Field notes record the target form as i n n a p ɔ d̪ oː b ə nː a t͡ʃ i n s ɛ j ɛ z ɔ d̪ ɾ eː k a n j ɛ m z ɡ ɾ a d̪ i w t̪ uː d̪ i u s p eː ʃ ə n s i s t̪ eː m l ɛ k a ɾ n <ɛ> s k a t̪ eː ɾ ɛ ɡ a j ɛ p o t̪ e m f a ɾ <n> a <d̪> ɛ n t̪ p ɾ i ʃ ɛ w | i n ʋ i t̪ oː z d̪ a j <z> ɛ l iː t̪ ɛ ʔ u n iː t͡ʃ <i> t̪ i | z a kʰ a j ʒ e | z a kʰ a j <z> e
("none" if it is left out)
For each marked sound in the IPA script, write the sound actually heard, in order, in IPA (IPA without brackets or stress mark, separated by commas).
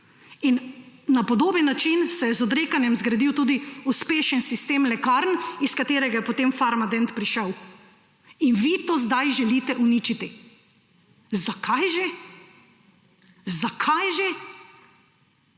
i, m, d̪, ʒ, i, ʒ